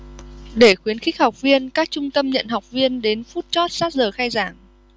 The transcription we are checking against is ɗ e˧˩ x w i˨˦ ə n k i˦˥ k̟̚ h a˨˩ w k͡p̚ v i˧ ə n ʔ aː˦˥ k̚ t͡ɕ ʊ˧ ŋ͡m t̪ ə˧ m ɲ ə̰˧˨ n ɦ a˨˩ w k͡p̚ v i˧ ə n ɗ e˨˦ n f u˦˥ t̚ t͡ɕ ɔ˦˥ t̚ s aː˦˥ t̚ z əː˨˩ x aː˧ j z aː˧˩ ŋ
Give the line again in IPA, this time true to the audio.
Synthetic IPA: ɗ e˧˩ x w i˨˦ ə n x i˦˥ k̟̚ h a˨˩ w k͡p̚ v i˧ ə n k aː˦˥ k̚ t͡ɕ ʊ˧ ŋ͡m t̪ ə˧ m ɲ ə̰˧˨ n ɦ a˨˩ w k͡p̚ v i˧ ə n ɗ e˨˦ n f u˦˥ t̚ t͡ɕ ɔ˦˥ t̚ s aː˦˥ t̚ z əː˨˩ x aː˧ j z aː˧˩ ŋ